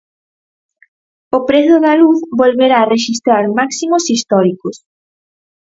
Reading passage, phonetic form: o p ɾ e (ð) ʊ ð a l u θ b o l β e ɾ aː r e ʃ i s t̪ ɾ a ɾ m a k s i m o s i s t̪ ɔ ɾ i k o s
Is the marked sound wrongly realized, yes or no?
yes